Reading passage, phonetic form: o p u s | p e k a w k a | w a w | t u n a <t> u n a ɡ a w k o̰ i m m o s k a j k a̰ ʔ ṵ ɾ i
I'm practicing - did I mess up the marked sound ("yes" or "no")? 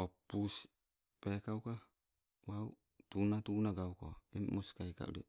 no